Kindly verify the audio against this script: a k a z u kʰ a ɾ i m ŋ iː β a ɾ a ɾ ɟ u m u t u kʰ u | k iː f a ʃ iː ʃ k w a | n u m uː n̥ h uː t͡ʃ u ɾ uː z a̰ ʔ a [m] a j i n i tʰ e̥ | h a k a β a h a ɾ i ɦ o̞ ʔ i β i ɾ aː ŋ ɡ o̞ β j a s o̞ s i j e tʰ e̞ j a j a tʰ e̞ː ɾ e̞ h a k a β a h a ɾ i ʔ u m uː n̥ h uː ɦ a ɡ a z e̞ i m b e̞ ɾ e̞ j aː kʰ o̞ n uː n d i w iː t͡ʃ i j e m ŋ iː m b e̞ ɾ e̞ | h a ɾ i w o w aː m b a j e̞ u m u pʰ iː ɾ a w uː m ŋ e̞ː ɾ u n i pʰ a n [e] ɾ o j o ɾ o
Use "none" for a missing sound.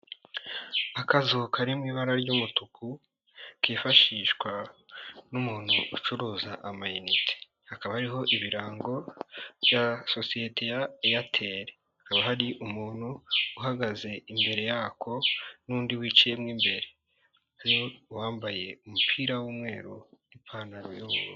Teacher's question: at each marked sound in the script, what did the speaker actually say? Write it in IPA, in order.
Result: m, a

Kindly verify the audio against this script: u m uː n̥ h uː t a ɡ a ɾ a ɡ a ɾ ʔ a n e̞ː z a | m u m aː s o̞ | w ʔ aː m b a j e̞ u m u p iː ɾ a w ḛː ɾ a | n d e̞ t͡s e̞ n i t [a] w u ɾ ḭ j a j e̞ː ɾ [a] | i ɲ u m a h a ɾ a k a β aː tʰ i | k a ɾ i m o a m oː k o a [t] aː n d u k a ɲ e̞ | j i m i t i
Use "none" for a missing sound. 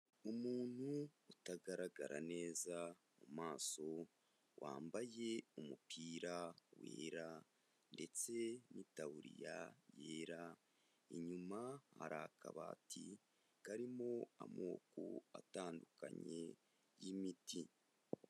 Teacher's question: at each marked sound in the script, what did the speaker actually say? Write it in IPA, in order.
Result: a, a, t

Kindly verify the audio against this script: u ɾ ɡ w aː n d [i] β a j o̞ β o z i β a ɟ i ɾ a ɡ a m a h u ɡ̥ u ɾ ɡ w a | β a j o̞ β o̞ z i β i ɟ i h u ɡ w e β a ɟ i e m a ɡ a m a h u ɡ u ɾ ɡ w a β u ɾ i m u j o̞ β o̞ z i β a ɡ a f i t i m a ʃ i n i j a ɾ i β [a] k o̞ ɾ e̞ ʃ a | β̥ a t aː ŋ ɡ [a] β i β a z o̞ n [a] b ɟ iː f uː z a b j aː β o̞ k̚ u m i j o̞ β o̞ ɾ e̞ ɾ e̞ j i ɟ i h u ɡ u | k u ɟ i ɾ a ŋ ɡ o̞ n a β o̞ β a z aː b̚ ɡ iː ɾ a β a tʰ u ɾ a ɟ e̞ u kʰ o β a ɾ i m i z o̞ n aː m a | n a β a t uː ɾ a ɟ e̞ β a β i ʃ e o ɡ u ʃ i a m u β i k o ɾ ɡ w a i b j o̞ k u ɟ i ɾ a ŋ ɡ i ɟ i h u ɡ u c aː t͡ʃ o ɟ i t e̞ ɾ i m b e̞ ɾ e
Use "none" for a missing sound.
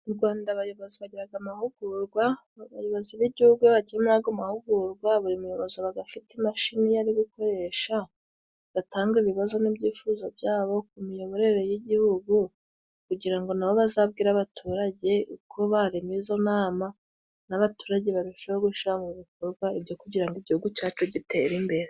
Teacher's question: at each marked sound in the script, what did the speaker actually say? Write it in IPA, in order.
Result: a, i, i, i

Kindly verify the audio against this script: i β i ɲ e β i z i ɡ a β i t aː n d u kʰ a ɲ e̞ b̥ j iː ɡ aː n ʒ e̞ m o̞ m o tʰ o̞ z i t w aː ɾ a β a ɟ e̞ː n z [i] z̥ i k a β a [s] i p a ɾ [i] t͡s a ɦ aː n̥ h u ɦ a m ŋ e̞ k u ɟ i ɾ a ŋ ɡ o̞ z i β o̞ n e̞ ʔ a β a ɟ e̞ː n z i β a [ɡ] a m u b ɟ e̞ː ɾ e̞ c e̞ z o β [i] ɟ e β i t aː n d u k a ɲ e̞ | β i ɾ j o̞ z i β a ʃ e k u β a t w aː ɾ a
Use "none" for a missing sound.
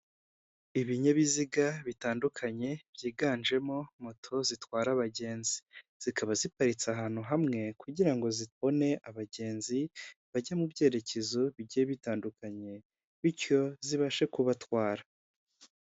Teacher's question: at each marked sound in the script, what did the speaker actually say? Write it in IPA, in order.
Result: i, z, i, ɟ, i

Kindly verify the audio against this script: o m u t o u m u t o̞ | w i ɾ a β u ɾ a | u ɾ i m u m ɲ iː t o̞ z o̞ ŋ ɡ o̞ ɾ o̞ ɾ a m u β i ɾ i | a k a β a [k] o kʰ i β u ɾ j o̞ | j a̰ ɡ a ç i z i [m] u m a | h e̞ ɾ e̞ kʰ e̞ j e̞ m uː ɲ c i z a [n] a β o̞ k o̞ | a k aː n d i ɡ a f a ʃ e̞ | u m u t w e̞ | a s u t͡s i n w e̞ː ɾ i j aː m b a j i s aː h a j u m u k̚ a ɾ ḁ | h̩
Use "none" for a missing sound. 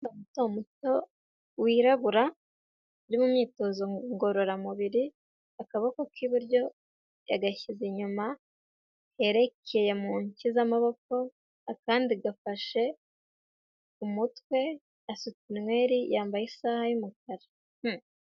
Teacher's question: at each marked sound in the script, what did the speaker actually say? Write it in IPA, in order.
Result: k, ɲ, m

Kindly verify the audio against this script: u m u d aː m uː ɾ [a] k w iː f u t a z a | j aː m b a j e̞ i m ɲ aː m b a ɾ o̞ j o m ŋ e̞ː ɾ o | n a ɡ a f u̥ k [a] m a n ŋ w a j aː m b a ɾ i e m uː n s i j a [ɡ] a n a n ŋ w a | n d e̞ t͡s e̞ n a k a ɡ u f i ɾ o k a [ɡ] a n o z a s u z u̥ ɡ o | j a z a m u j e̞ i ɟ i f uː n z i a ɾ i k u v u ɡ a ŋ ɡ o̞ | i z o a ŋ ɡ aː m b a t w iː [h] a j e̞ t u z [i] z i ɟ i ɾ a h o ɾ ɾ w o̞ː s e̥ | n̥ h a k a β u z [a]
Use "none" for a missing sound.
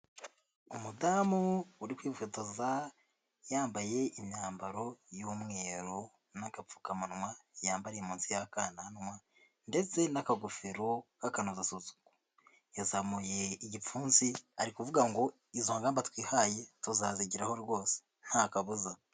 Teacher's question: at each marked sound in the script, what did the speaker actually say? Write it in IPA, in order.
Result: i, a, k, k, h, a, a

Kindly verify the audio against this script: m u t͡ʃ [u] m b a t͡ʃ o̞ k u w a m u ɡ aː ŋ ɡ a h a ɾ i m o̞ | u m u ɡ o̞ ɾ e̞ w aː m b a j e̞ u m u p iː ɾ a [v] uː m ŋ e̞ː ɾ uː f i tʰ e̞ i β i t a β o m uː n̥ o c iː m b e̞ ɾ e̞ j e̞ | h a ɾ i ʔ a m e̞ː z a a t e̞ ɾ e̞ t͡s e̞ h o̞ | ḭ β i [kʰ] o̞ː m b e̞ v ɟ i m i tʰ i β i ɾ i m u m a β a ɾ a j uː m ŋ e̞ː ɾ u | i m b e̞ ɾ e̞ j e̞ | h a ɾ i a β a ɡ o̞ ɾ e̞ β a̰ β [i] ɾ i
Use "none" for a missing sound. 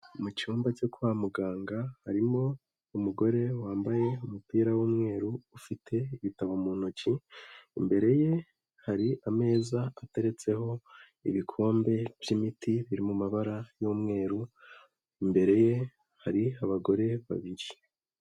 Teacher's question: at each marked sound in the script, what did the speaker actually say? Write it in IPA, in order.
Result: uː, w, kʰ, i

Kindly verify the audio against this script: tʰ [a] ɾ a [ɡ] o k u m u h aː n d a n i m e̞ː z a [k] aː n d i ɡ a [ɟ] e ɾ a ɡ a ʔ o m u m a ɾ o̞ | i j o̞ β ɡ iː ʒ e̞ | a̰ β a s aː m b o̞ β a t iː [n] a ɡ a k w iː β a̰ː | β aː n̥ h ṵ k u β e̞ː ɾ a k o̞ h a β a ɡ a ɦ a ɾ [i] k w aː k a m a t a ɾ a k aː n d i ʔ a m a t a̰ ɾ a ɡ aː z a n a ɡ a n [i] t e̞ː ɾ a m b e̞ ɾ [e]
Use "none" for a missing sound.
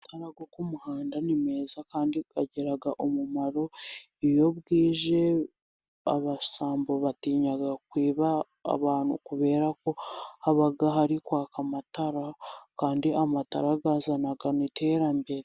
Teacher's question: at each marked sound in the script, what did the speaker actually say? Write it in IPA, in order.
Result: a, ɡ, k, ɟ, ɲ, i, i, e

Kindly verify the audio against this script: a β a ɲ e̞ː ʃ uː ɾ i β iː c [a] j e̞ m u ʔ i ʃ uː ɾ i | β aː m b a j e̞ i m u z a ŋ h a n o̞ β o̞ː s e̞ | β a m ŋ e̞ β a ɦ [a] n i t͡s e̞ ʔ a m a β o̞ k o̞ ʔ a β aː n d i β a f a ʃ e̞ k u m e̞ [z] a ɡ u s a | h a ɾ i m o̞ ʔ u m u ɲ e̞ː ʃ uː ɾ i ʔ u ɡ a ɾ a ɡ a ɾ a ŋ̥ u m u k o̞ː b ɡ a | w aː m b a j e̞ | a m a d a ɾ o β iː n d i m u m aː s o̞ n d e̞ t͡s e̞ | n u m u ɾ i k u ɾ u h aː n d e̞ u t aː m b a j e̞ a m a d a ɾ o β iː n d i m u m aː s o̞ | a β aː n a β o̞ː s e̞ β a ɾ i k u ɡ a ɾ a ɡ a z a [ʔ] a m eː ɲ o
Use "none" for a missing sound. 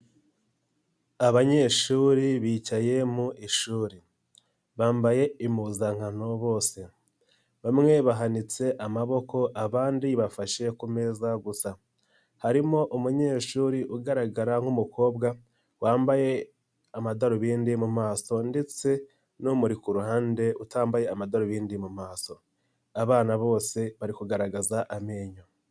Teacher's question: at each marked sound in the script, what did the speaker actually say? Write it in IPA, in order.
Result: a, a, z, ʔ

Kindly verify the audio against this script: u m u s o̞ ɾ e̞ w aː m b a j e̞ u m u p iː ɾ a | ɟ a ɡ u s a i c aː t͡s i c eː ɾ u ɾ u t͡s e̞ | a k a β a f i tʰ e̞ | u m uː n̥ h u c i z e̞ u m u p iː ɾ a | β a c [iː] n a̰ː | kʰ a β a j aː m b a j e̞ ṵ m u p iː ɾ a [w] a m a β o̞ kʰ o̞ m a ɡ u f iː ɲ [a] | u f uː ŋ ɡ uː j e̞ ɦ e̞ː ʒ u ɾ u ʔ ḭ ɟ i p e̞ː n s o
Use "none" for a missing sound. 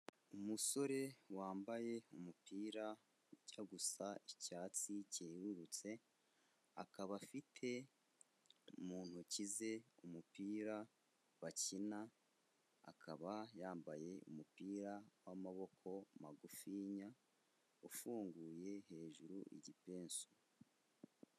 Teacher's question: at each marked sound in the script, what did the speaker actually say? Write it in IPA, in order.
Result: i, w, a

